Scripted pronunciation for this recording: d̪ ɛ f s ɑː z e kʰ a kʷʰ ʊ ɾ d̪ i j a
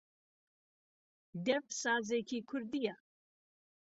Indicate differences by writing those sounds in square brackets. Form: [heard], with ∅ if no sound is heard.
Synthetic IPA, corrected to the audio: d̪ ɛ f s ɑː z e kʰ [i] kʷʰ ʊ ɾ d̪ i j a

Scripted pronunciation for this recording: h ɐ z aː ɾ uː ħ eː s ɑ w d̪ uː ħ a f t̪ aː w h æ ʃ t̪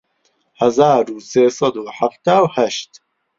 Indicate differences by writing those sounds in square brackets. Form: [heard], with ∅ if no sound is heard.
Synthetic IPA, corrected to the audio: h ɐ z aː ɾ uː [s] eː s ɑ [∅] d̪ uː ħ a f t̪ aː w h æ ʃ t̪

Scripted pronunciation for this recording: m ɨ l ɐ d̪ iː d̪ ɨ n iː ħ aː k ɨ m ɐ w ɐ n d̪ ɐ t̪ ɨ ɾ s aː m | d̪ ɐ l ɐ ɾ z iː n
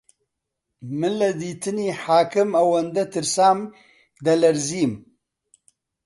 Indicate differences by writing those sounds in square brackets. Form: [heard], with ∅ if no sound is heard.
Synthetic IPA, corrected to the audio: m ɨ l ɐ d̪ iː [t̪] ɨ n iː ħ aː k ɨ m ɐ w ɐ n d̪ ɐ t̪ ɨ ɾ s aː m | d̪ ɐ l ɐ ɾ z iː [m]

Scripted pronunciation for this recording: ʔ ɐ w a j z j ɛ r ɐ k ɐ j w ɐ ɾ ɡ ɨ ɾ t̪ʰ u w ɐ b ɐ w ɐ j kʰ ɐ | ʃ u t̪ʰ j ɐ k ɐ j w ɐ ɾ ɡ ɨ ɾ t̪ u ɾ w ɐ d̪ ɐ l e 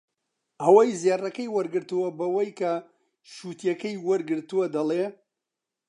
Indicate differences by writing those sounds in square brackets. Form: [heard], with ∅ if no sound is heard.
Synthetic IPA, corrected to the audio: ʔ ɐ w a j z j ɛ r ɐ k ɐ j w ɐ ɾ ɡ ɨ ɾ [t̪] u w ɐ b ɐ w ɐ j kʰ ɐ | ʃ u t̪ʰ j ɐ k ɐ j w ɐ ɾ ɡ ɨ ɾ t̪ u [∅] w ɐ d̪ ɐ l e

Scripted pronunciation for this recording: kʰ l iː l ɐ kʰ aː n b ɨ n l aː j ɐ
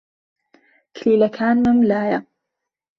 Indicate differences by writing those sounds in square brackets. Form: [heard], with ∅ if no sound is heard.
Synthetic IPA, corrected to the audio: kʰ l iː l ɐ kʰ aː n [m] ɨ [m] l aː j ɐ

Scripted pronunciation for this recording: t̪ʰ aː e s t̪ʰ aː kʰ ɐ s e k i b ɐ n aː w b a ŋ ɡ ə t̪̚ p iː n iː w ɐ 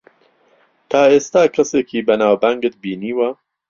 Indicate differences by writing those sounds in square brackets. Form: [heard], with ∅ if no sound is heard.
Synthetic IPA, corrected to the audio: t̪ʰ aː e s [t̪] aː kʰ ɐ s e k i b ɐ n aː w b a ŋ ɡ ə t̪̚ [b] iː n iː w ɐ

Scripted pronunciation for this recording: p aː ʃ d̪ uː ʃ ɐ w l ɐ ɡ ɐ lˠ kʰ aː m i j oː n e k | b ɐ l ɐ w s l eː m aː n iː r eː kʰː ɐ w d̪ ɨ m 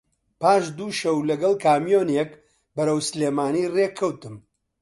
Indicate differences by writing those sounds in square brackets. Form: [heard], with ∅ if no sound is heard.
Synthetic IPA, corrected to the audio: p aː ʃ d̪ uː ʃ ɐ w l ɐ ɡ ɐ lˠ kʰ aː m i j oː n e k | b ɐ [ɾ] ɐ w s l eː m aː n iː r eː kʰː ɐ w [t̪] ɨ m

